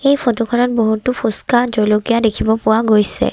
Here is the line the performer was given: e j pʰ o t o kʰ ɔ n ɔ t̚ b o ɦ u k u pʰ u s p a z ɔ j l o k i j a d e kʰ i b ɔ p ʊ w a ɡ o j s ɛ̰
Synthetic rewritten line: e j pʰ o t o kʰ ɔ n ɔ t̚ b o ɦ u t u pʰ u s k a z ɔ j l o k i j a d e kʰ i b ɔ p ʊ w a ɡ o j s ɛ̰

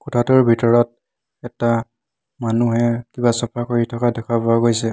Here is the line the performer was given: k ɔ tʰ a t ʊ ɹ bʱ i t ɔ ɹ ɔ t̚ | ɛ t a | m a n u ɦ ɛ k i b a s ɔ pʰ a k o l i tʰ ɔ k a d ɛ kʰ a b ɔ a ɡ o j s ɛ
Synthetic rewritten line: k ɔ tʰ a t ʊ ɹ bʱ i t ɔ ɹ ɔ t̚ | ɛ t a | m a n u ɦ ɛ k i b a s ɔ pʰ a k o ɹ i tʰ ɔ k a d ɛ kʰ a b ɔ a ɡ o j s ɛ

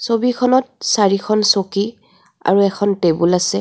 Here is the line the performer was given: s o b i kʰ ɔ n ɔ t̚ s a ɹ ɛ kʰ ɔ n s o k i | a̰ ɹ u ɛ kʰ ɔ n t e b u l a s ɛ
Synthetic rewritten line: s o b i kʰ ɔ n ɔ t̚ s a ɹ i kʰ ɔ n s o k i | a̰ ɹ u ɛ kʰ ɔ n t e b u l a s ɛ

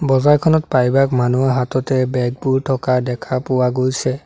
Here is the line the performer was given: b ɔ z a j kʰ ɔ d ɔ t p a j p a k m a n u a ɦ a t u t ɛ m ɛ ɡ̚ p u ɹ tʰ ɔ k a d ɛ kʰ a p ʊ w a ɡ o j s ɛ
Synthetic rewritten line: b ɔ z a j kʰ ɔ n ɔ t p a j b a k m a n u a ɦ a t ɔ t ɛ b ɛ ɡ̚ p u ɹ tʰ ɔ k a d ɛ kʰ a p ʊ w a ɡ o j s ɛ

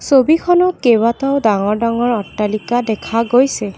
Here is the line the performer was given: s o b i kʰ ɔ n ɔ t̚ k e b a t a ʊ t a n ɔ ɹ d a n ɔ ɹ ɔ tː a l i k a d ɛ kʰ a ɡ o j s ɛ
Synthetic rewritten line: s o b i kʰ ɔ n ɔ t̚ k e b a t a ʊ d a ŋ ɔ ɹ d a ŋ ɔ ɹ ɔ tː a l i k a d ɛ kʰ a ɡ o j s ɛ

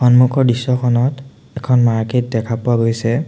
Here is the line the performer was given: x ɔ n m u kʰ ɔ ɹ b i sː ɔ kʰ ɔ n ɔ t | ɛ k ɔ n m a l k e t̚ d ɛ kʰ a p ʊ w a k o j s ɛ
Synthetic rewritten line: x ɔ n m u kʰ ɔ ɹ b i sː ɔ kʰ ɔ n ɔ t | ɛ kʰ ɔ n m a ɹ k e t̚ d ɛ kʰ a p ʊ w a ɡ o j s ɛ

